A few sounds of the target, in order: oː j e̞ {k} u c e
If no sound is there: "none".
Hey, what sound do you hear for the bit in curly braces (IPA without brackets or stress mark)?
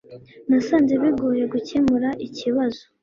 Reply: ɡ